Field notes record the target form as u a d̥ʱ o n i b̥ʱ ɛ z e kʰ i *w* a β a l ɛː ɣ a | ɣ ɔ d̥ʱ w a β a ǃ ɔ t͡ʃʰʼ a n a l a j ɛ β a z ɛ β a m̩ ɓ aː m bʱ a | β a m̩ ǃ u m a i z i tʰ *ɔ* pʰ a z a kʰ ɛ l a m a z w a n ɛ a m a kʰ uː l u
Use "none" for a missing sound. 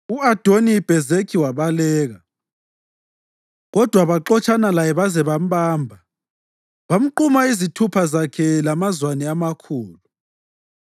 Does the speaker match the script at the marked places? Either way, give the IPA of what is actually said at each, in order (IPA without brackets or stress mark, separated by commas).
w, u